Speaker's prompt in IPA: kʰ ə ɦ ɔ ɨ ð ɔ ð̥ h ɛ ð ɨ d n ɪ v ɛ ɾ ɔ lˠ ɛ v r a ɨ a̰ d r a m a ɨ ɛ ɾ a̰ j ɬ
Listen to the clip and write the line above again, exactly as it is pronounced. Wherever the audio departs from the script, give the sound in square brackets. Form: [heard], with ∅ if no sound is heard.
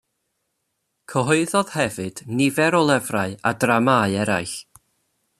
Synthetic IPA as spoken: kʰ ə ɦ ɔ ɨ ð ɔ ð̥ h ɛ [v] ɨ d n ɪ v ɛ ɾ ɔ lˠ ɛ v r a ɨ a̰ d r a m a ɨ ɛ ɾ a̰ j ɬ